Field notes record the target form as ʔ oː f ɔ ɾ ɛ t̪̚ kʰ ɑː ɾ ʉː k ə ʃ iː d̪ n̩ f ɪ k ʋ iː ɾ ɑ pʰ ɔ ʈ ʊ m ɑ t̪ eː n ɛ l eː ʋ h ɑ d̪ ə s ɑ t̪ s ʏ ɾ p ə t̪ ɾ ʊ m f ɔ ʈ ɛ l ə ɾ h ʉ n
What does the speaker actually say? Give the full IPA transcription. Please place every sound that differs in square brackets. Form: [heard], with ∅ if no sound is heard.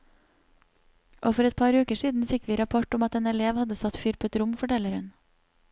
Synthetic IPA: ʔ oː f ɔ ɾ ɛ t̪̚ [pʰ] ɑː ɾ ʉː k ə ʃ iː d̪ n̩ f ɪ k ʋ iː ɾ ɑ pʰ ɔ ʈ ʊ m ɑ t̪ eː n ɛ l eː ʋ h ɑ d̪ ə s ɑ t̪ [f] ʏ ɾ p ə t̪ ɾ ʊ m f ɔ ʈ ɛ l ə ɾ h ʉ n